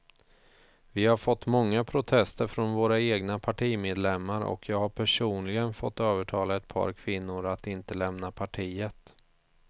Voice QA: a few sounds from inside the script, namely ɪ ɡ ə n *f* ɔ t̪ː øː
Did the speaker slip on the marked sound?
no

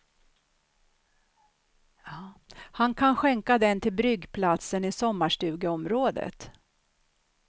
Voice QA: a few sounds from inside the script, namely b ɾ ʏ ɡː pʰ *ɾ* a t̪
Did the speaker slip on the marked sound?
yes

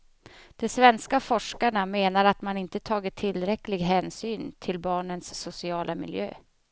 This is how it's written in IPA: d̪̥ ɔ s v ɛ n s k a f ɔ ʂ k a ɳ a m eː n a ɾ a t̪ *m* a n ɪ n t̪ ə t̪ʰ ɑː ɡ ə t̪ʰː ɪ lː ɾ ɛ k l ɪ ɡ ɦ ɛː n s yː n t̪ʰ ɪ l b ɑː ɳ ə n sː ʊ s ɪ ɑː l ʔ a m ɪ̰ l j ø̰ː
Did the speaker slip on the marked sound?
no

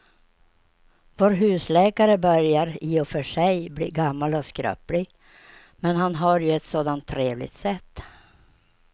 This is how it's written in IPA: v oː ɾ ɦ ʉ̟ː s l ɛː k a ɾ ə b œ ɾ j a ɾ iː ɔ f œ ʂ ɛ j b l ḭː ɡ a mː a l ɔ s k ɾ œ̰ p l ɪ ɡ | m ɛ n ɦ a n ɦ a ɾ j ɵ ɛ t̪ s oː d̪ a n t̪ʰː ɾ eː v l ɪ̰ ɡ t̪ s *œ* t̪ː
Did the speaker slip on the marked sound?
yes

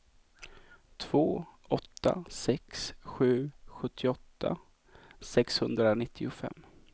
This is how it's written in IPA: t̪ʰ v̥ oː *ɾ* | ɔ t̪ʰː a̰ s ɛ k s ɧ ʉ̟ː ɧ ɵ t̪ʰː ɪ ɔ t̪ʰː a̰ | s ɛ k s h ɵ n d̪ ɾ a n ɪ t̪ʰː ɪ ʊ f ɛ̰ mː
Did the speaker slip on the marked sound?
yes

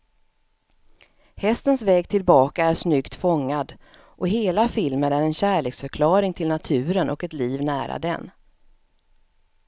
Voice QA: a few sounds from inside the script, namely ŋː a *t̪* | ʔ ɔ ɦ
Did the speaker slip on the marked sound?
yes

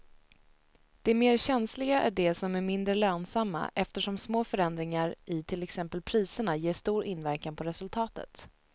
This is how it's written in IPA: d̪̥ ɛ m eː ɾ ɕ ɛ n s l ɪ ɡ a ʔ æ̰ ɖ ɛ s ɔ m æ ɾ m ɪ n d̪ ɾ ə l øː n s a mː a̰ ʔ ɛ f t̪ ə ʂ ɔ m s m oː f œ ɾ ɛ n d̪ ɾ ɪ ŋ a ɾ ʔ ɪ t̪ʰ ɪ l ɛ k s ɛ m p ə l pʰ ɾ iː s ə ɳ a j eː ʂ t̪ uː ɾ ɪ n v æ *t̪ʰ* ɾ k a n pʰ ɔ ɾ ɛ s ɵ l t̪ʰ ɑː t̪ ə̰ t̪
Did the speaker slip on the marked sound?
yes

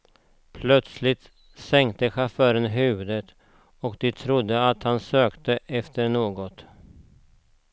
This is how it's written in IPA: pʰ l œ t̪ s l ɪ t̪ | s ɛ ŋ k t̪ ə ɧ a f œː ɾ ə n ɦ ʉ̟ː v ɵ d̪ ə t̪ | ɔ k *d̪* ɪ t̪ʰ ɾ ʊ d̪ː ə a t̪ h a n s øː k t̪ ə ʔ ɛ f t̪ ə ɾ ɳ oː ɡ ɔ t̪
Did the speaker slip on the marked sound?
no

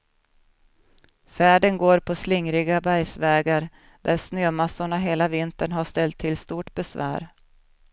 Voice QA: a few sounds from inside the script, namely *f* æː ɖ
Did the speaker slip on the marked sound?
no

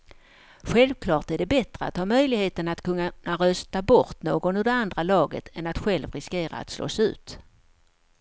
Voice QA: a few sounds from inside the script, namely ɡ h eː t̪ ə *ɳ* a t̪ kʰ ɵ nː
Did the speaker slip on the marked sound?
yes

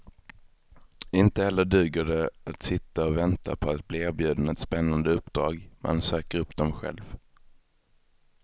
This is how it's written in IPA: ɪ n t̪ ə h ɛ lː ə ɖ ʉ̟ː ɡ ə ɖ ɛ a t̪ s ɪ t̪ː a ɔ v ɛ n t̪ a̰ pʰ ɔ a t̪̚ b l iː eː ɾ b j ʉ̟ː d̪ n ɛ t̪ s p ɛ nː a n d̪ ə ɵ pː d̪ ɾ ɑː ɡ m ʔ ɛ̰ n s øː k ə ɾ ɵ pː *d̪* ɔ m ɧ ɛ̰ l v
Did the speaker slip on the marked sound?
no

